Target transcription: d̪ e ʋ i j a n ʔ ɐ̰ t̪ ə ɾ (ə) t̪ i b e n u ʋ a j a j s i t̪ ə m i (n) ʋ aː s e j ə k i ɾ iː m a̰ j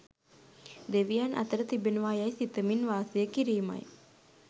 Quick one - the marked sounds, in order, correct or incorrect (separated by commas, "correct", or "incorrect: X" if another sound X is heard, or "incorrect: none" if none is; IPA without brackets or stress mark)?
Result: correct, correct